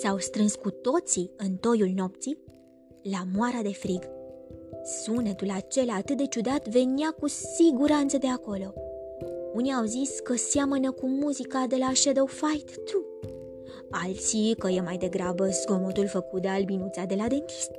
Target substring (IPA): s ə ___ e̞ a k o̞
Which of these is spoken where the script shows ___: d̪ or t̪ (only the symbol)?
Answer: d̪